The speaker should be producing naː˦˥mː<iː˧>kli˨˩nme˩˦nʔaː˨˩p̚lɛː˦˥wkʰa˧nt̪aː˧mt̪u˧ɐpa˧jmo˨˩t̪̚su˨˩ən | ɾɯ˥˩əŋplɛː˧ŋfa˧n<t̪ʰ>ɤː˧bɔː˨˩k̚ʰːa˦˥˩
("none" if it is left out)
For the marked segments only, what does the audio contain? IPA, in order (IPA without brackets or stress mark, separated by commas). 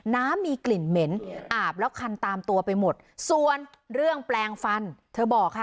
iː˧, t̪ʰ